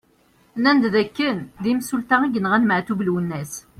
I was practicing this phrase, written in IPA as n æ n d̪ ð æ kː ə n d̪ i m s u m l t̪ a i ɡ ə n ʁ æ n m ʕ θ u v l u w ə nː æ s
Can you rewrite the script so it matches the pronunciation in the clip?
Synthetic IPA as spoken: n æ n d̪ ð æ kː ə n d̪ i m s u l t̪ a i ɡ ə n ʁ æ n m ʕ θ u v l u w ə nː æ s